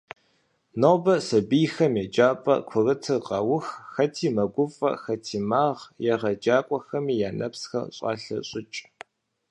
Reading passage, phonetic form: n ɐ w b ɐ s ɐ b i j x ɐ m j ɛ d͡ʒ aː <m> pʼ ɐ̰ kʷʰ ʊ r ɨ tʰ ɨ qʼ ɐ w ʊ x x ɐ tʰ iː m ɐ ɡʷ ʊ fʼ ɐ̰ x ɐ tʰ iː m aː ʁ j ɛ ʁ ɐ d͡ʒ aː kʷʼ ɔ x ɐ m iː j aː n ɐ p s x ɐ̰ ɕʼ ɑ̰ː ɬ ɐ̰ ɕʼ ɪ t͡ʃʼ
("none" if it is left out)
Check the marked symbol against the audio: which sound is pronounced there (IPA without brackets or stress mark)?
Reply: none